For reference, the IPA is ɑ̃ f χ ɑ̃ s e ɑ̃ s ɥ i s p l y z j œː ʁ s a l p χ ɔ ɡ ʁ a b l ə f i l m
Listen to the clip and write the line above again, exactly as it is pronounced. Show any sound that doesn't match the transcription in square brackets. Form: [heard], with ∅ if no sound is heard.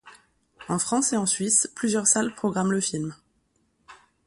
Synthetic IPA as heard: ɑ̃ f χ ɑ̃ s e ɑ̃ s ɥ i s p l y z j [œ] ʁ s a l p χ ɔ ɡ ʁ a [m] l ə f i l m